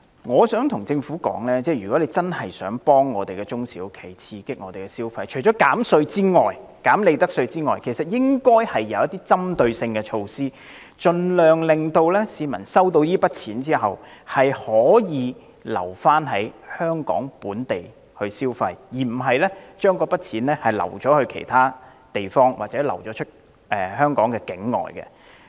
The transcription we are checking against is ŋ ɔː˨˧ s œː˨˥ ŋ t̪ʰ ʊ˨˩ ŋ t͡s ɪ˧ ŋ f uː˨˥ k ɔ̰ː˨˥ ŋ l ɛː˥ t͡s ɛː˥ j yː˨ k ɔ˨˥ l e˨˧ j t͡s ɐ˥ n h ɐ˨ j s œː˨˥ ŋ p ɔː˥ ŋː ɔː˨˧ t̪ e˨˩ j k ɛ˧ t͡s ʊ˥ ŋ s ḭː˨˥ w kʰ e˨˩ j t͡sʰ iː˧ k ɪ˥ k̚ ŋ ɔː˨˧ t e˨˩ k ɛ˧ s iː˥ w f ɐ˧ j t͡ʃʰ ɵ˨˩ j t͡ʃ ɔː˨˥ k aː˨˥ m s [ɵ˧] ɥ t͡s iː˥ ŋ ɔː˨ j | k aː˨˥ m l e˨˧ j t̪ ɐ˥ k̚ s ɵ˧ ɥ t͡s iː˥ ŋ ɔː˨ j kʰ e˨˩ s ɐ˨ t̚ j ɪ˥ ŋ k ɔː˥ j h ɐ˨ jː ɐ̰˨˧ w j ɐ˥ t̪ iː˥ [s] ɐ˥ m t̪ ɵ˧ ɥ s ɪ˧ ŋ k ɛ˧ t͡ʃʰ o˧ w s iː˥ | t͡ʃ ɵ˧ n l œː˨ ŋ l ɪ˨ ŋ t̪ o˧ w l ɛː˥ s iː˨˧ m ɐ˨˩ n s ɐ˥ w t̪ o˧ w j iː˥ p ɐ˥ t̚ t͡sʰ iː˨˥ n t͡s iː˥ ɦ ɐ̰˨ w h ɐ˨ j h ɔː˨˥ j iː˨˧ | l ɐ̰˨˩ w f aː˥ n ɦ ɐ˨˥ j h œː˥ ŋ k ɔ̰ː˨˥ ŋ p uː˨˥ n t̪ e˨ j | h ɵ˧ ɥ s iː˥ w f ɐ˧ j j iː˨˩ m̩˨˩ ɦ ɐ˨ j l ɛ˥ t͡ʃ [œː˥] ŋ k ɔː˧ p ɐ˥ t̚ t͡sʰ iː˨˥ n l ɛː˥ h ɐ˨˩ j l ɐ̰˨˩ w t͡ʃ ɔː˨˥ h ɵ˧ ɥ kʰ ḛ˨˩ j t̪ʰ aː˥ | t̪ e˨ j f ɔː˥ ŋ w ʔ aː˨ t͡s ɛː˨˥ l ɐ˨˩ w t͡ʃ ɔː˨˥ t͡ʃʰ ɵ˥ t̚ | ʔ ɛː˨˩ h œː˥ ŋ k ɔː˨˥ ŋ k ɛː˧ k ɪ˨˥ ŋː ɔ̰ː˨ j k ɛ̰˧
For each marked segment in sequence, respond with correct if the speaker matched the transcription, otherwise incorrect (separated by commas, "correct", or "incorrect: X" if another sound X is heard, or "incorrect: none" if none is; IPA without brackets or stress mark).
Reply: correct, incorrect: t͡s, correct